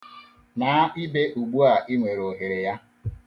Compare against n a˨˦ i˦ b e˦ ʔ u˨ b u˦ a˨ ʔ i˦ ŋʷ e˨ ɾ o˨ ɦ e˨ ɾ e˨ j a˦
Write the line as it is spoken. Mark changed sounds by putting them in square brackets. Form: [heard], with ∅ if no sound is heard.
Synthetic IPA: n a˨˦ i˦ b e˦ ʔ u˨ [ɡ͡b] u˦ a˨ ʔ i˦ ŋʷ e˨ ɾ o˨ ɦ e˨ ɾ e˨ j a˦

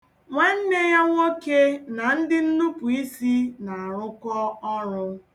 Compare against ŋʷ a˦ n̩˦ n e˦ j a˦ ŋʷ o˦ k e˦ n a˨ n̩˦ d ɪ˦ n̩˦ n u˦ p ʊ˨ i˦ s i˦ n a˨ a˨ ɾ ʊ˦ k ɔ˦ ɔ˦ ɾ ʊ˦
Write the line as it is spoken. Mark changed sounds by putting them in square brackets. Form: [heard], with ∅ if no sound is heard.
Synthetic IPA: ŋʷ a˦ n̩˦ n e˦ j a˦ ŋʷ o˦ k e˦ n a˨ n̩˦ d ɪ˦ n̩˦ n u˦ p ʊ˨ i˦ s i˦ n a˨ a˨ ɾ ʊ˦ k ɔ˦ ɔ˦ ɾ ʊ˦

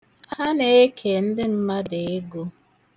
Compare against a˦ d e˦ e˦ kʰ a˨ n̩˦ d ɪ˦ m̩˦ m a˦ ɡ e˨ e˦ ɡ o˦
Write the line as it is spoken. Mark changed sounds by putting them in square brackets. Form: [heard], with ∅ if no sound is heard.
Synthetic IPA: a˦ [n] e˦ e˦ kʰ [e˨] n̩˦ d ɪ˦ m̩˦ m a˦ [d] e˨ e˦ ɡ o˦

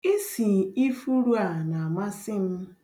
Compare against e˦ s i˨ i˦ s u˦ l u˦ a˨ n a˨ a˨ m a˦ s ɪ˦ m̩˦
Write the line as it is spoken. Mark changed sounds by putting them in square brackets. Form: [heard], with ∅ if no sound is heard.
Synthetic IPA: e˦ s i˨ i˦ [f] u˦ [ɾ] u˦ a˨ n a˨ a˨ m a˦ s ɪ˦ m̩˦

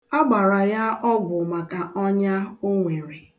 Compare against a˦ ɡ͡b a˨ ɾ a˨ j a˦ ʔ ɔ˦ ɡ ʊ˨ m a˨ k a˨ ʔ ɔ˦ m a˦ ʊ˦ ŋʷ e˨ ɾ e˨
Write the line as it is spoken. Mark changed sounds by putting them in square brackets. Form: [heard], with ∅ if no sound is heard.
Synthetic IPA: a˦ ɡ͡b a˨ ɾ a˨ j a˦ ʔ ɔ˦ ɡ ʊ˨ m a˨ k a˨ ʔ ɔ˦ [ɲ] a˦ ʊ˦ ŋʷ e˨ ɾ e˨

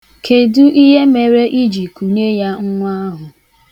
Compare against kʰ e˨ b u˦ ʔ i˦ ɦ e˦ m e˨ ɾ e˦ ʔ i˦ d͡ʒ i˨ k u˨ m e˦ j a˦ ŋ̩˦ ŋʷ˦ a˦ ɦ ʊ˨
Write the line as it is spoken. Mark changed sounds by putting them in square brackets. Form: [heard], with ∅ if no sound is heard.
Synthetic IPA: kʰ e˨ [d] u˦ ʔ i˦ ɦ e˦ m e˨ ɾ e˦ ʔ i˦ d͡ʒ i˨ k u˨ [ɲ] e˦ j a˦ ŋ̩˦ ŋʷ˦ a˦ ɦ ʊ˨

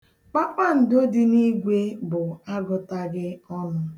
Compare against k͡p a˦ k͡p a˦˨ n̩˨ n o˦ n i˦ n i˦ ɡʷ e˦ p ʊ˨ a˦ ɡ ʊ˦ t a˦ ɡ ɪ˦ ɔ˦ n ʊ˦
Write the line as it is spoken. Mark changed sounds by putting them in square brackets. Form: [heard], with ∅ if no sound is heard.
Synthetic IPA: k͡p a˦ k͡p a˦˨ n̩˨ [d] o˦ [d] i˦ n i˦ ɡʷ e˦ [b] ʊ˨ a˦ ɡ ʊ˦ t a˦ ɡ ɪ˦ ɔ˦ n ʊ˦

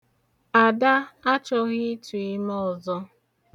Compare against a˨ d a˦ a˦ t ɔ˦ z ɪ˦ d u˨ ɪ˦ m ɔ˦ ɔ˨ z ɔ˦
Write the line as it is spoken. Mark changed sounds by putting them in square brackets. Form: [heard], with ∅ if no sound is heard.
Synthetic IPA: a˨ d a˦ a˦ [t͡ʃ] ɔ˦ [ɣ] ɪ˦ [t] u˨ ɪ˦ m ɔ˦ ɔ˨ z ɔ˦

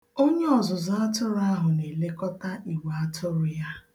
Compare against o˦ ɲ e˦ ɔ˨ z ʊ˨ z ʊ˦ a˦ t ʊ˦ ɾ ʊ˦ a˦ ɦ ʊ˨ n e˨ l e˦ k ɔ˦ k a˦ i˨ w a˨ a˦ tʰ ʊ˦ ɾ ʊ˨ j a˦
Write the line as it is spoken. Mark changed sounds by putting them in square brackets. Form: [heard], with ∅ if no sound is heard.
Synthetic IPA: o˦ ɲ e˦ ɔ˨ z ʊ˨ z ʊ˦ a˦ t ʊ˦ ɾ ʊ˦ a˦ ɦ ʊ˨ n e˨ l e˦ k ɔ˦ [t] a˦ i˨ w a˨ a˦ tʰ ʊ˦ ɾ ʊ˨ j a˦

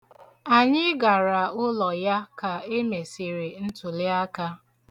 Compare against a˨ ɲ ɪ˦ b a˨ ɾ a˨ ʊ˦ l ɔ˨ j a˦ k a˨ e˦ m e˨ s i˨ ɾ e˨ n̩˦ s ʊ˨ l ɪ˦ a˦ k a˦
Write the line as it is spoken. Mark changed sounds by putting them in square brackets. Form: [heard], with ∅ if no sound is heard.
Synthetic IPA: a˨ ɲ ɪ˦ [ɡ] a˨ ɾ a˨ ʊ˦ l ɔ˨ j a˦ k a˨ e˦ m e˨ s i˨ ɾ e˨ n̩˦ [t] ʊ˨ l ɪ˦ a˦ k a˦

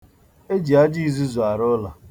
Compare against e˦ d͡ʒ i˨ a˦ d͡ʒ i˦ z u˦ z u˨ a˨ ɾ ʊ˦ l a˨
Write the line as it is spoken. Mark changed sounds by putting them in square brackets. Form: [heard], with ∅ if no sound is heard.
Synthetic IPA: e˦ d͡ʒ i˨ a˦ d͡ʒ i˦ z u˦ z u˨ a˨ ɾ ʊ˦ l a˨

